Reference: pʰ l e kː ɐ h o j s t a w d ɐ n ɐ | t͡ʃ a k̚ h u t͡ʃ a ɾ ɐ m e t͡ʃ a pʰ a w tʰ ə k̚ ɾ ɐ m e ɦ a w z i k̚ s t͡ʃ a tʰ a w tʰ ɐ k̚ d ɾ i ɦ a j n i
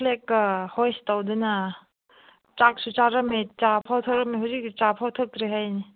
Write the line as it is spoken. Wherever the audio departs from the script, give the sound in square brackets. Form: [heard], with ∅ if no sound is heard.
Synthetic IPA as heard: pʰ l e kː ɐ h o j s t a w d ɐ n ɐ | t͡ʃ a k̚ [s] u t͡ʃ a ɾ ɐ m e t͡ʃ a pʰ a w tʰ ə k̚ ɾ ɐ m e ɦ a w z i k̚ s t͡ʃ a [pʰ] a w tʰ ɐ k̚ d ɾ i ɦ a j n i